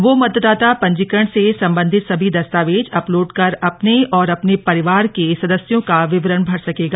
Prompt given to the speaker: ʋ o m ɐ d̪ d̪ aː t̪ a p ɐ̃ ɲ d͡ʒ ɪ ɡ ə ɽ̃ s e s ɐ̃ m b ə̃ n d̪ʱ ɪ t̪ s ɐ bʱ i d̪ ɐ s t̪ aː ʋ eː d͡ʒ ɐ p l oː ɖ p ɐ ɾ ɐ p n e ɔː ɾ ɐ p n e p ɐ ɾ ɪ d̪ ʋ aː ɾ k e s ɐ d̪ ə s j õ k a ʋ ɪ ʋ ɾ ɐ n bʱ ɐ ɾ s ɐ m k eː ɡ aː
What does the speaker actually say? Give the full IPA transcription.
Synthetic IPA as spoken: ʋ o m ɐ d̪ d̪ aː t̪ a p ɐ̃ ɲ d͡ʒ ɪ k ə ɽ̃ s e s ɐ̃ m b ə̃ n d̪ʱ ɪ t̪ s ɐ bʱ i d̪ ɐ s t̪ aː ʋ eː d͡ʒ ɐ p l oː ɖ k ɐ ɾ ɐ p n e ɔː ɾ ɐ p n e p ɐ ɾ ɪ ʋ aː ɾ k e s ɐ d̪ ə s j õ k a ʋ ɪ ʋ ɾ ə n bʱ ɐ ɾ s ɐ k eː ɡ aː

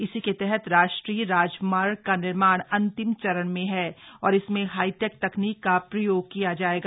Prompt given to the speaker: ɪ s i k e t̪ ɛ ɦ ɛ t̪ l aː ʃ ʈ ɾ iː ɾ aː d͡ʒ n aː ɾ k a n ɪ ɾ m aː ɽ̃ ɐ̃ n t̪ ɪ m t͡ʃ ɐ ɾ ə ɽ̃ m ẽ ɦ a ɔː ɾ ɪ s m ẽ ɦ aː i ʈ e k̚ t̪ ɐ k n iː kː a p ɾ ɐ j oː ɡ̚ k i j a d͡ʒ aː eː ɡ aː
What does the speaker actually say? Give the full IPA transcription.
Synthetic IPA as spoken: ɪ s i k e t̪ ɛ ɦ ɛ t̪ ɾ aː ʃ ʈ ɾ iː ɾ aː d͡ʒ m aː ɾ k a n ɪ ɾ m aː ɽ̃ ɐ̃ n t̪ ɪ m t͡ʃ ɐ ɾ ə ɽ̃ m ẽ ɦ ɛ ɔː ɾ ɪ s m ẽ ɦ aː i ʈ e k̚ t̪ ɐ k n iː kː a p ɾ ɐ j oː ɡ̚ k i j a d͡ʒ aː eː ɡ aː

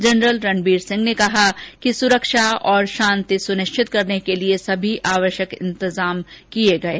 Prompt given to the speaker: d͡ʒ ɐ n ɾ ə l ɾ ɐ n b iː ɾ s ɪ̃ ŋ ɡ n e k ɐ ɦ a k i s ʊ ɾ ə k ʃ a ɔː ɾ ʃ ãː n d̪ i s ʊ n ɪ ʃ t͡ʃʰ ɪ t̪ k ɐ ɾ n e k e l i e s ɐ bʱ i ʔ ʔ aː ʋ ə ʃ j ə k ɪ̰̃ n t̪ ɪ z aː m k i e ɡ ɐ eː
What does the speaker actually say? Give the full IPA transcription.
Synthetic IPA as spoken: d͡ʒ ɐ n ɾ ə l ɾ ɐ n b iː ɾ s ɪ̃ ŋ ɡ n e k ɐ ɦ a k i s ʊ ɾ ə k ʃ a ɔː ɾ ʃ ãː n t̪ i s ʊ n ɪ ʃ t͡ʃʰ ɪ t̪ k ɐ ɾ n e k e l i e s ɐ bʱ i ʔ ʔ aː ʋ ə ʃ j ə k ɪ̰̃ n t̪ ɪ z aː m k i e ɡ ɐ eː

